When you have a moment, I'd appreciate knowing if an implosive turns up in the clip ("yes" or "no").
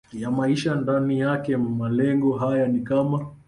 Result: no